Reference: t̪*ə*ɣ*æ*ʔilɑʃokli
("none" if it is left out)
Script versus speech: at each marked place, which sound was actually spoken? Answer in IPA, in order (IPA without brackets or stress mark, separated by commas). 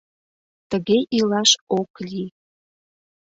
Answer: ə, e